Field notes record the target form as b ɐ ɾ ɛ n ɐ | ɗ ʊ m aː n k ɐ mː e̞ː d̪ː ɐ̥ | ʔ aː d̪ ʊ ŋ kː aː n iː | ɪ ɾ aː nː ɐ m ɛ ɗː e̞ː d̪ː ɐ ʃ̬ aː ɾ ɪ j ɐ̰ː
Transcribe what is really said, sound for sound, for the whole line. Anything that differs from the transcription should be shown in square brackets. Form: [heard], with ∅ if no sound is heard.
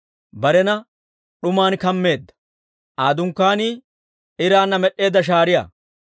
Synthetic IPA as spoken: b ɐ ɾ ɛ n ɐ | ɗ ʊ m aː n k ɐ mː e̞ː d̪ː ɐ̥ | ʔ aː d̪ ʊ ŋ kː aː n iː | ɪ ɾ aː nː ɐ m ɛ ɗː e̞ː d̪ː ɐ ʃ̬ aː ɾ ɪ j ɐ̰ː